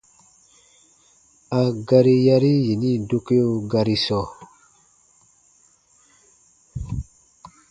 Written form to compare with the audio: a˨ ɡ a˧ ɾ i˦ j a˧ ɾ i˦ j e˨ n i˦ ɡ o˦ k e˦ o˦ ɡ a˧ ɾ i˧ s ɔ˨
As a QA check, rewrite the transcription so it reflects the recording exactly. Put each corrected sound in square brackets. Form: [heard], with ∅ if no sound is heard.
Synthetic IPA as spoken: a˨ ɡ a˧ ɾ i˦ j a˧ ɾ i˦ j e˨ n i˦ [d] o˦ k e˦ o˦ ɡ a˧ ɾ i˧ s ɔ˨